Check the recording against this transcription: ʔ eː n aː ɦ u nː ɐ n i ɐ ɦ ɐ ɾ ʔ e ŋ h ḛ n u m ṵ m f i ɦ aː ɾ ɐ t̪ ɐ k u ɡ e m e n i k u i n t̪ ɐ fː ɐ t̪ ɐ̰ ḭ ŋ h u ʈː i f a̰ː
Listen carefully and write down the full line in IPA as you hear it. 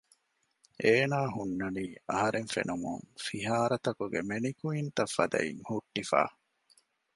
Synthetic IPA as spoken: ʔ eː n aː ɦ u nː ɐ n iː ɐ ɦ ɐ ɾ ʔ e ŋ f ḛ n u m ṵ ŋ f i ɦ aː ɾ ɐ t̪ ɐ k u ɡ e m e n i k u i n t̪ ɐ fː ɐ d̪ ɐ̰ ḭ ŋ h u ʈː i f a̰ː